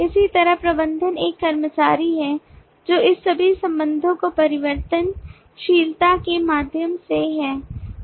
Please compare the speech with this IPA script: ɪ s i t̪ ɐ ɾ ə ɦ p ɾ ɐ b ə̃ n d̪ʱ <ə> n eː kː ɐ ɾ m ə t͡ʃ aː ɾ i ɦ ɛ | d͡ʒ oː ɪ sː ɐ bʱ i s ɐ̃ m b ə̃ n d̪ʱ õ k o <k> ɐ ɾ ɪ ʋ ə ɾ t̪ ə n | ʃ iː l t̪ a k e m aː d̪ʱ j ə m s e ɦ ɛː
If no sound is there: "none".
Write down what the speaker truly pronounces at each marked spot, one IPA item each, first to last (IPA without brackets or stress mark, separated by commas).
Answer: ə, p